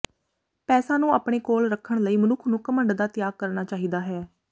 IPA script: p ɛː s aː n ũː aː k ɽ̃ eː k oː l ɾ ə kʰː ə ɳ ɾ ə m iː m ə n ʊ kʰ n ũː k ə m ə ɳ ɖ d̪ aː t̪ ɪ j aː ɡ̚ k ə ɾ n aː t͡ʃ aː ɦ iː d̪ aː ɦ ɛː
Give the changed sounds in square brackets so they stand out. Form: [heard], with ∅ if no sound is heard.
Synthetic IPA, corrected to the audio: p ɛː s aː n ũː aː [p] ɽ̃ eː k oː l ɾ ə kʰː ə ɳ [l] ə [∅] iː m ə n ʊ kʰ n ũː k ə m ə ɳ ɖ d̪ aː t̪ ɪ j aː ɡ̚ k ə ɾ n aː t͡ʃ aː ɦ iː d̪ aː ɦ ɛː

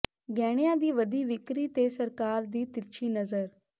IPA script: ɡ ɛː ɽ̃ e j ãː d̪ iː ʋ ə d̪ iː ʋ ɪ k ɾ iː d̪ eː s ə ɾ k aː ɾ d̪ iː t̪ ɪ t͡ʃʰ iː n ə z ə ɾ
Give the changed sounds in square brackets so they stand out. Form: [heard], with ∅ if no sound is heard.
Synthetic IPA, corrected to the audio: ɡ ɛː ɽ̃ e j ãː d̪ iː ʋ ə d̪ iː ʋ ɪ k ɾ iː [t̪] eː s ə ɾ k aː ɾ d̪ iː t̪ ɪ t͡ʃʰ iː n ə z ə ɾ

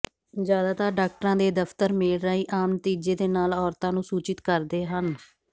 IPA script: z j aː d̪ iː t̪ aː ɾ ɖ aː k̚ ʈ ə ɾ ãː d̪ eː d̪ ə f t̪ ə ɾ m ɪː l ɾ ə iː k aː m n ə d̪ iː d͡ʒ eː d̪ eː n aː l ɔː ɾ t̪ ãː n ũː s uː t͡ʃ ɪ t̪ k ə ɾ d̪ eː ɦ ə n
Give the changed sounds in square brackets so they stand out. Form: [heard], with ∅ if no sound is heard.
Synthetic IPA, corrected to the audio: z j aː d̪ [aː] t̪ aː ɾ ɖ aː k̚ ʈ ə ɾ ãː d̪ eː d̪ ə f t̪ ə ɾ m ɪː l ɾ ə iː [ʔ] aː m n ə [t̪] iː d͡ʒ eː d̪ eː n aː l ɔː ɾ t̪ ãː n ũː s uː t͡ʃ ɪ t̪ k ə ɾ d̪ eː ɦ ə n

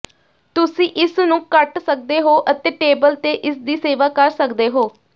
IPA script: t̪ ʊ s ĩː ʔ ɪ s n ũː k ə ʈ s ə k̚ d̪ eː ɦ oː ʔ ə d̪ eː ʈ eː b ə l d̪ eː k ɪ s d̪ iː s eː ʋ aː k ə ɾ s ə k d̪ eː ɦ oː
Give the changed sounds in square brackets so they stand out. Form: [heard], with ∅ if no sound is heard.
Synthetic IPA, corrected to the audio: t̪ ʊ s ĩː ʔ ɪ s n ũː k ə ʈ s ə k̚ d̪ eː ɦ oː ʔ ə [t̪] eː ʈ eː b ə l [t̪] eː [ʔ] ɪ s d̪ iː s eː ʋ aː k ə ɾ s ə k d̪ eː ɦ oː

